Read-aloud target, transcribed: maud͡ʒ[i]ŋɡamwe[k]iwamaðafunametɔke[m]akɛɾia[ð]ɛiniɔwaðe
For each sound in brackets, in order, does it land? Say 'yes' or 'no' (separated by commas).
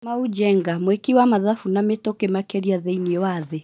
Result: no, yes, yes, yes